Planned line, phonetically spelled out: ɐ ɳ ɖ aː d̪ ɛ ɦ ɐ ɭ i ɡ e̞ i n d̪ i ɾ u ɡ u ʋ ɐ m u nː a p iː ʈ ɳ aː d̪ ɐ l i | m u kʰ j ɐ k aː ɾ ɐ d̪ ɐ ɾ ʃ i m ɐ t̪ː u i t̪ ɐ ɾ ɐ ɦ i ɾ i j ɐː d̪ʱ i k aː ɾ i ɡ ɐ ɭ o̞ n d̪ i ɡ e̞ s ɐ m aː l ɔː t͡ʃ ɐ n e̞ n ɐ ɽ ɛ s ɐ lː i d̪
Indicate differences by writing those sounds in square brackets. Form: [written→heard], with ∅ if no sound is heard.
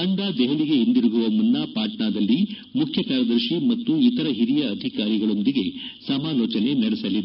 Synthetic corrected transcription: ɐ ɳ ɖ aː d̪ ɛ ɦ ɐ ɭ i ɡ e̞ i n d̪ i ɾ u ɡ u ʋ ɐ m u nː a p [iː→aː] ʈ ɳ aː d̪ ɐ [l→lː] i | m u kʰ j ɐ k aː ɾ ɐ d̪ ɐ ɾ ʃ i m ɐ t̪ː u i t̪ ɐ ɾ ɐ ɦ i ɾ i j ɐː d̪ʱ i k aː ɾ i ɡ ɐ ɭ o̞ n d̪ i ɡ e̞ s ɐ m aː l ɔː t͡ʃ ɐ n e̞ n ɐ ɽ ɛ s ɐ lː i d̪